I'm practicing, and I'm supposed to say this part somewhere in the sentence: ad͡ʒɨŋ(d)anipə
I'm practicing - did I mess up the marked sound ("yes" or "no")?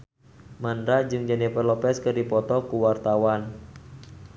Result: yes